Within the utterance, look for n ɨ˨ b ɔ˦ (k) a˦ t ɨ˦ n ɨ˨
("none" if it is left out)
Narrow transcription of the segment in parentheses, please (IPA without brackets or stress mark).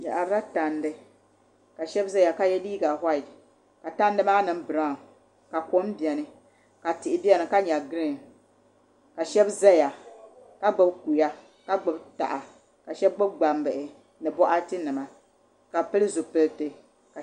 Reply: ʔ